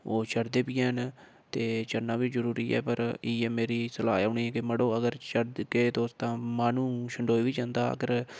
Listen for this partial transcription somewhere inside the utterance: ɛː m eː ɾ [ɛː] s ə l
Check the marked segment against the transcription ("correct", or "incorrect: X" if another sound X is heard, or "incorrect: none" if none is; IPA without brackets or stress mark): incorrect: iː